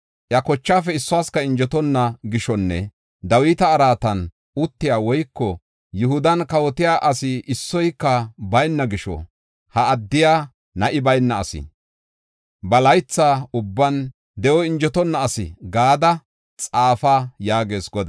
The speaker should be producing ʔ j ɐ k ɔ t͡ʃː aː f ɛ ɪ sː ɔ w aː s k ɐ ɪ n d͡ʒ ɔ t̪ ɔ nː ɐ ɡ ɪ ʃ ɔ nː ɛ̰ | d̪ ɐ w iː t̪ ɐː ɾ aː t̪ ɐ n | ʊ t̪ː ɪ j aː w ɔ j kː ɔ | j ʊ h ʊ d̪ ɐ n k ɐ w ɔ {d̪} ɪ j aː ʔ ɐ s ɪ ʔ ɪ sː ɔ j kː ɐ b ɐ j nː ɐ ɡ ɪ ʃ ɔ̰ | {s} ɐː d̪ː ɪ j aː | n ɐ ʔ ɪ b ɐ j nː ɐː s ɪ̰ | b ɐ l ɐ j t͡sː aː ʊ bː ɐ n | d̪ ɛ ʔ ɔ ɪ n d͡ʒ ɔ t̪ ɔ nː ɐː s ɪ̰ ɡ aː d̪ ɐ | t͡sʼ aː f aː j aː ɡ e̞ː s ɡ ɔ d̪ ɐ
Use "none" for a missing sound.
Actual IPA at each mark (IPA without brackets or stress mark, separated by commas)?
t̪, h